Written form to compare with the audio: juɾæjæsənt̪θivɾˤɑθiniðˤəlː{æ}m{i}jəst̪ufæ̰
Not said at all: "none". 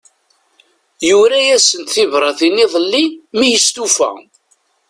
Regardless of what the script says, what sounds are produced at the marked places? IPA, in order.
i, i

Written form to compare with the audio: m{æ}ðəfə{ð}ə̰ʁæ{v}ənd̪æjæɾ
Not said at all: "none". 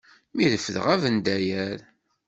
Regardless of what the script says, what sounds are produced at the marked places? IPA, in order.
i, ð, v

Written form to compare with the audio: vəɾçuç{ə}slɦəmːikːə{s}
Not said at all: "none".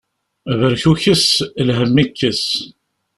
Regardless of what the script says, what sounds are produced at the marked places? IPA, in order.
ə, s

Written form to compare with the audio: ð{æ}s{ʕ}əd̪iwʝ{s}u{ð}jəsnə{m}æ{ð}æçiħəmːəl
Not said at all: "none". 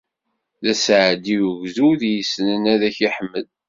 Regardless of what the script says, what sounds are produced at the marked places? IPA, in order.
æ, ʕ, z, ð, n, ð

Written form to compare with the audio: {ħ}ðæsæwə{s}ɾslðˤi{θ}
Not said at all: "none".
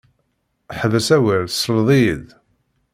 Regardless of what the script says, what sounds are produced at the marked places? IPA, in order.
ħ, none, ð

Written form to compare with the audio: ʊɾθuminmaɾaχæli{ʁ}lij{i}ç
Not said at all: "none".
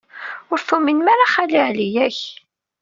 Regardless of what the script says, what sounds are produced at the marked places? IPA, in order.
ʕ, æ

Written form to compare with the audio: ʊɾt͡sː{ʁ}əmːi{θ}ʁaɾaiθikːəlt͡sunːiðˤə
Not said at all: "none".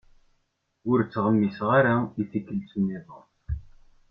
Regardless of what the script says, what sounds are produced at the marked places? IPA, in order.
ʁ, s

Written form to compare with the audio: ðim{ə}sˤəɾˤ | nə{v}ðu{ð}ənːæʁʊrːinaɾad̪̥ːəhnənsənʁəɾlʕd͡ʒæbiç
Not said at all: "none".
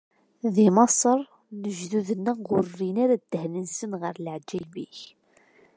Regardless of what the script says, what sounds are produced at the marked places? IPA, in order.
ɑ, ʒ, ð

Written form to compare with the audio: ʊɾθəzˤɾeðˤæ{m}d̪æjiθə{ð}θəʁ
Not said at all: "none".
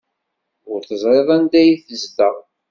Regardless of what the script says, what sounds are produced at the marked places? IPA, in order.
n, z

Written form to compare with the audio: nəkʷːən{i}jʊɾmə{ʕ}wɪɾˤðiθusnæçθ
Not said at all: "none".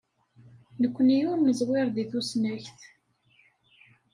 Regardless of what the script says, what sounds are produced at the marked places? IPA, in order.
i, z

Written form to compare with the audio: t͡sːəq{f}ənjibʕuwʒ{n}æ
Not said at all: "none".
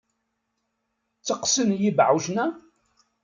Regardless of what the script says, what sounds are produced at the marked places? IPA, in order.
s, n

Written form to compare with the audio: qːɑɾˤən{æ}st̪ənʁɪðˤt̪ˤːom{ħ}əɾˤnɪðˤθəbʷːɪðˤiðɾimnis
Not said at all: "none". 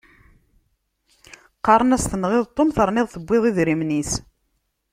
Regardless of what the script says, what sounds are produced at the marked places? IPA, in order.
æ, θ

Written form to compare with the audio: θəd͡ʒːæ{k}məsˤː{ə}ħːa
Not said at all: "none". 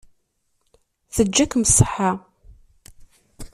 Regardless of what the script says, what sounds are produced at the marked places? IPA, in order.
k, ə

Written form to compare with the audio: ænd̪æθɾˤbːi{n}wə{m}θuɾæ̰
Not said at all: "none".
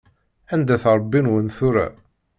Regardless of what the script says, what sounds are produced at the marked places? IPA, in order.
n, n

